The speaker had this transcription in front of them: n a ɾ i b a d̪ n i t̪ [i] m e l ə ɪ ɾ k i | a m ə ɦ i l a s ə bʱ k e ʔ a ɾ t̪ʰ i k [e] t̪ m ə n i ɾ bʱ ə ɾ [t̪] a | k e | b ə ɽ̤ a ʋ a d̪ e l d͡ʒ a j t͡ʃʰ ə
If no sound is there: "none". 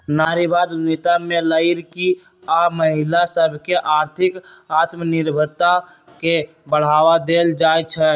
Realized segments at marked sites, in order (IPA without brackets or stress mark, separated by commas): a, a, t̪